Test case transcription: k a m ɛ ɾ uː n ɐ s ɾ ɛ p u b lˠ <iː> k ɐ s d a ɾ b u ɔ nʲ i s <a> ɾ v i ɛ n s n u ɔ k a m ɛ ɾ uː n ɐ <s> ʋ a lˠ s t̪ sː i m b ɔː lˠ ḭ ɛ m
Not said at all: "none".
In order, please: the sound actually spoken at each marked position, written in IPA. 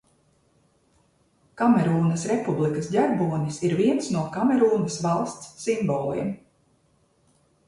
i, i, s

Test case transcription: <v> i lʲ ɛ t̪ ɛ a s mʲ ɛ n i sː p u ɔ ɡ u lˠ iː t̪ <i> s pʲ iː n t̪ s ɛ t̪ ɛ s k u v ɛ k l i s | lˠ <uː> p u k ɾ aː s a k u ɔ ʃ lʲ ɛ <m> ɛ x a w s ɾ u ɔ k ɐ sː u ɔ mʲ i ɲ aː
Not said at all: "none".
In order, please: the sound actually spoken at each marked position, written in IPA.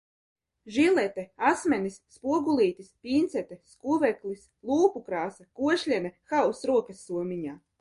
ʒ, i, uː, n

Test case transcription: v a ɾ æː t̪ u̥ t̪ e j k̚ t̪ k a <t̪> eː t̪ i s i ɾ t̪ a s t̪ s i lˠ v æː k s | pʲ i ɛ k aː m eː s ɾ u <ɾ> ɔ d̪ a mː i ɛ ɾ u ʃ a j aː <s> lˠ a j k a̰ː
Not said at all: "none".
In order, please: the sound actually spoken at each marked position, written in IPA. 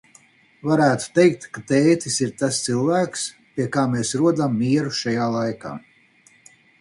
t̪, none, none

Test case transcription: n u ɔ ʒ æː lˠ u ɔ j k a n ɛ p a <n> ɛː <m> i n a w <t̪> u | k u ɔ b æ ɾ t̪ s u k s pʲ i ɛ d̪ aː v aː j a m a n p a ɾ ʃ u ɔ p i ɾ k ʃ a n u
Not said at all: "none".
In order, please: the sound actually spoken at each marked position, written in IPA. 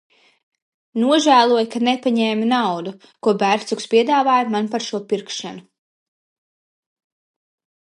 ɲ, m, d̪

